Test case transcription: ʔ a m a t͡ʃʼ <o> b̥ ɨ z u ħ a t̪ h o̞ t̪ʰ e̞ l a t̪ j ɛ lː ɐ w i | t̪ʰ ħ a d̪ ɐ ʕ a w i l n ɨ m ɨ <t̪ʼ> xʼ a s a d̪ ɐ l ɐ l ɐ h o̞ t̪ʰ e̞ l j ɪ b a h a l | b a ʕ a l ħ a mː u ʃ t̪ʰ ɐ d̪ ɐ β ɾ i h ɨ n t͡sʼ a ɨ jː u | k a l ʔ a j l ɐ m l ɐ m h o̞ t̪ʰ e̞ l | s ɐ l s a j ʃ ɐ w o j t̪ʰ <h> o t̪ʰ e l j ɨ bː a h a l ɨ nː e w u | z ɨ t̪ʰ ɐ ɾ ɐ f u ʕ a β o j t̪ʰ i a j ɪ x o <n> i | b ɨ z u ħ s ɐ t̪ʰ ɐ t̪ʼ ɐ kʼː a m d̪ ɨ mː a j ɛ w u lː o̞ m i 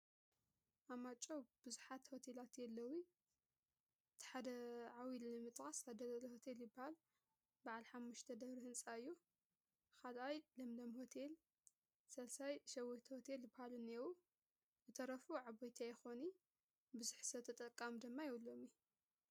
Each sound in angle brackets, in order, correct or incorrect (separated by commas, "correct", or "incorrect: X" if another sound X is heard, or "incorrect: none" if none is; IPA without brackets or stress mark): correct, correct, correct, correct